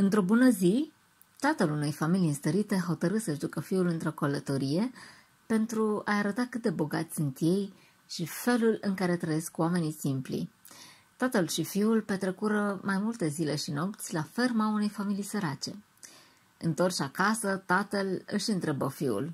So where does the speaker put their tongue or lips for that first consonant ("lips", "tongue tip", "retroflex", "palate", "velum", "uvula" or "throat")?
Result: tongue tip